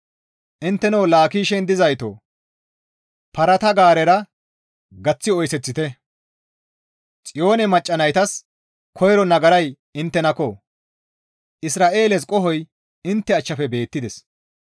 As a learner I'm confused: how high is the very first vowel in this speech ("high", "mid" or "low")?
high